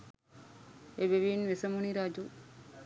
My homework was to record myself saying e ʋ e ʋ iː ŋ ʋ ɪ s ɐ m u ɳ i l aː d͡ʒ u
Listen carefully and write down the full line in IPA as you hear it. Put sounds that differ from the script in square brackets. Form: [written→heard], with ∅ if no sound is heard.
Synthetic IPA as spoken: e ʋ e ʋ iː [ŋ→n] ʋ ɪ s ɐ m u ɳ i [l→ɾ] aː d͡ʒ u